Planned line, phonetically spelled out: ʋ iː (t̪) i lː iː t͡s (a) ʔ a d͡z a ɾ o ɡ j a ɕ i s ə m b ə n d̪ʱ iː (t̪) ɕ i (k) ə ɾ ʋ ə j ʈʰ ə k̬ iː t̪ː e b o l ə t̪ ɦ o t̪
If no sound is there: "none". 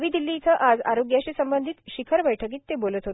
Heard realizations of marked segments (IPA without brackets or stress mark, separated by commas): d̪, ə, t̪, kʰ